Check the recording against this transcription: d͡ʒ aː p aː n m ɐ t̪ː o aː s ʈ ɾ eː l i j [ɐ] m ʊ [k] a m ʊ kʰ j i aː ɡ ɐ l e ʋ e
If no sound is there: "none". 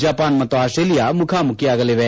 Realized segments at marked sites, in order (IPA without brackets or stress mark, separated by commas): a, kʰ